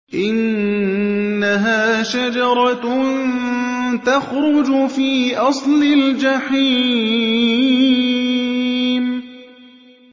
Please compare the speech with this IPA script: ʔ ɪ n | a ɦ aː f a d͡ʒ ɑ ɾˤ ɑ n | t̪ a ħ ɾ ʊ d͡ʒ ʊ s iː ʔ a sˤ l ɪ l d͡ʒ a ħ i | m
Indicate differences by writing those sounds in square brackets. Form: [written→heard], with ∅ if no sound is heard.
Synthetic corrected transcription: ʔ ɪ n | a ɦ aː [f→ʃ] a d͡ʒ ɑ ɾˤ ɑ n | t̪ a [ħ→x] ɾ ʊ d͡ʒ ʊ [s→f] iː ʔ [a→ɑ] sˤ l ɪ l d͡ʒ a ħ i | m